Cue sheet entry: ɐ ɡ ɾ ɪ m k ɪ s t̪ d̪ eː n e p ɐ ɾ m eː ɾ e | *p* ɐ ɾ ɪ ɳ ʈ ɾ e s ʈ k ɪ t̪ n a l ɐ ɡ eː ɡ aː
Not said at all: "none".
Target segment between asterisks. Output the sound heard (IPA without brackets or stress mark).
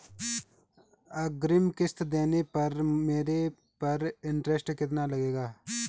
p